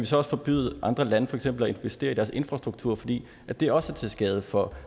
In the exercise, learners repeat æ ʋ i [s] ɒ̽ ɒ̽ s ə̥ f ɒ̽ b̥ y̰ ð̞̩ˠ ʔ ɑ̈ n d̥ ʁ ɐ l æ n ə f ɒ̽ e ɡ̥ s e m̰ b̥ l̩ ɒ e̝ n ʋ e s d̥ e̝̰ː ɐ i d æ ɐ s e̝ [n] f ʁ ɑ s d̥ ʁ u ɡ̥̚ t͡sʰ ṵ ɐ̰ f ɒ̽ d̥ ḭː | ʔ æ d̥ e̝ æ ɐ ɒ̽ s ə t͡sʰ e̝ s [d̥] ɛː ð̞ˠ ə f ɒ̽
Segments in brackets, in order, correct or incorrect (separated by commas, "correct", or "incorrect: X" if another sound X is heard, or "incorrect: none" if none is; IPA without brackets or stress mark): correct, correct, incorrect: ɡ̥